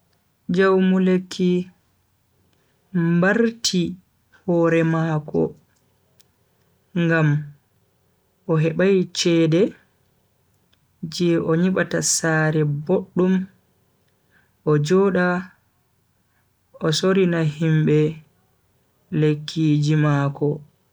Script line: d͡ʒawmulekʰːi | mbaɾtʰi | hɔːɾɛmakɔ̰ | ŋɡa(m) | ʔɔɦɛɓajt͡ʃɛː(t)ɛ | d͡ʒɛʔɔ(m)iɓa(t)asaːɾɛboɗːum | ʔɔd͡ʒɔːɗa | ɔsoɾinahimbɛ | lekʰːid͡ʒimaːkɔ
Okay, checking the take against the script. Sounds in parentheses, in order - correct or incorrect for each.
correct, incorrect, incorrect, correct

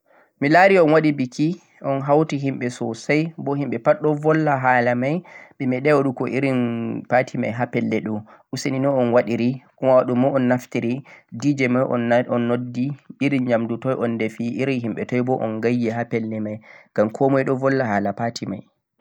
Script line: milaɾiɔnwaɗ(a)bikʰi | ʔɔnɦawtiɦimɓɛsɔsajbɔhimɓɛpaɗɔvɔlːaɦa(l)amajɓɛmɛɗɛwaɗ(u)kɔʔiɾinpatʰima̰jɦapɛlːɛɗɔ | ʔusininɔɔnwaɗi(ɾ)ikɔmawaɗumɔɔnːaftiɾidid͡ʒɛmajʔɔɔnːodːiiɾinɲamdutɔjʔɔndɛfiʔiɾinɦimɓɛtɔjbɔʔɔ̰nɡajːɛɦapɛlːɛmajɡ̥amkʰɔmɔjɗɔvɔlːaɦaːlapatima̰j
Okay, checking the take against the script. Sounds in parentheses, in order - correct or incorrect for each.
incorrect, correct, correct, correct

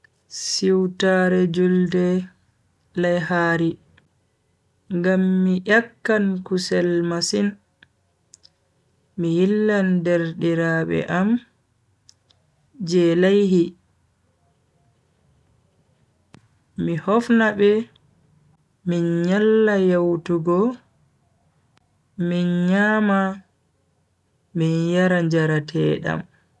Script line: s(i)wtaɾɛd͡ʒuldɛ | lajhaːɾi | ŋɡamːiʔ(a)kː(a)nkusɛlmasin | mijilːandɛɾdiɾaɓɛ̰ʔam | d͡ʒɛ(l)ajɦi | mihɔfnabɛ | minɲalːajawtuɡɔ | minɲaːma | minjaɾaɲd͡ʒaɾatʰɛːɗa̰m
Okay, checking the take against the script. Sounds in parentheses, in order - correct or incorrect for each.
correct, correct, correct, correct

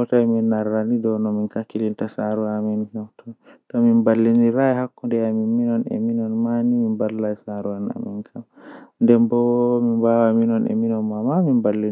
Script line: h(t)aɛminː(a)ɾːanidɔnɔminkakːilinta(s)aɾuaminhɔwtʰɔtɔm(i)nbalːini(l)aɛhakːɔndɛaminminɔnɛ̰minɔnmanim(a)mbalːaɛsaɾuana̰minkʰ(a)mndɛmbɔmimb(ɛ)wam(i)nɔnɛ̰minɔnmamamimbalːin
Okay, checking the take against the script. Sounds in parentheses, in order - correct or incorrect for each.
correct, correct, correct, correct, incorrect, incorrect, correct, incorrect, correct

